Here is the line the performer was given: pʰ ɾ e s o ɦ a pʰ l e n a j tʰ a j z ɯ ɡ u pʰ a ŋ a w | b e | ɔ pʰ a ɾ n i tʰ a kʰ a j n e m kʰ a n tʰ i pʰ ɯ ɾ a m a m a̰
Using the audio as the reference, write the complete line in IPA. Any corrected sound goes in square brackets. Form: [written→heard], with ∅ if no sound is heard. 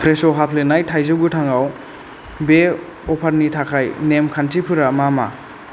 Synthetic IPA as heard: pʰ ɾ e s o ɦ a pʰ l e n a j tʰ a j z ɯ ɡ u [pʰ→tʰ] a ŋ a w | b e | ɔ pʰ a ɾ n i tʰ a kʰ a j n e m kʰ a n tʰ i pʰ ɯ ɾ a m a m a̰